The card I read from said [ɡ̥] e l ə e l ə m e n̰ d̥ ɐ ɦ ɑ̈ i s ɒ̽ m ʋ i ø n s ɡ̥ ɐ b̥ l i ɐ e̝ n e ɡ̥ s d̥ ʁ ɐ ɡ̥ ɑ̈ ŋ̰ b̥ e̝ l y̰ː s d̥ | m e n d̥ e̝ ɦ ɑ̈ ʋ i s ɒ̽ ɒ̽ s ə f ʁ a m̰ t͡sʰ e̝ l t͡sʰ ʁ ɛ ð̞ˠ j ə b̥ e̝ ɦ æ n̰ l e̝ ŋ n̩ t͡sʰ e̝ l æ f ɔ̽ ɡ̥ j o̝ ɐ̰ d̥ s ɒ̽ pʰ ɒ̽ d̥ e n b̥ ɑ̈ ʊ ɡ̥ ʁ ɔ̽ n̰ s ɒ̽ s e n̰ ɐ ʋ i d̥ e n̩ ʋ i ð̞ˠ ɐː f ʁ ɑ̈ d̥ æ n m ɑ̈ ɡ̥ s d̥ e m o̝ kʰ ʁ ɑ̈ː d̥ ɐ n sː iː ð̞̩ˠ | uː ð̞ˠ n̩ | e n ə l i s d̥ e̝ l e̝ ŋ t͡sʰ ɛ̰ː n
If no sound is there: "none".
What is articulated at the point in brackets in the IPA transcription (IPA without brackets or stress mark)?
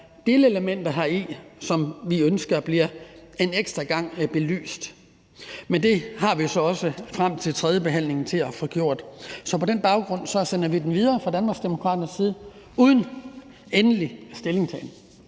d̥